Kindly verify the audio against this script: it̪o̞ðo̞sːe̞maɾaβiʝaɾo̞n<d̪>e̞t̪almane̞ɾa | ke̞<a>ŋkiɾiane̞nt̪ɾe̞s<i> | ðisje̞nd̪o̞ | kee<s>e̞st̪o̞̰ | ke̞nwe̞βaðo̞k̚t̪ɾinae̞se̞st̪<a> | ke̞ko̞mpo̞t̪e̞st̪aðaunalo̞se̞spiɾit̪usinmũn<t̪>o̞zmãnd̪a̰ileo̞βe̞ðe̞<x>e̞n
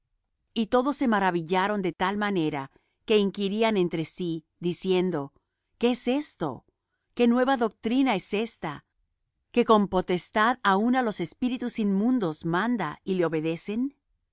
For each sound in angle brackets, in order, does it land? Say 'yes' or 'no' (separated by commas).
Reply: yes, no, yes, yes, yes, no, no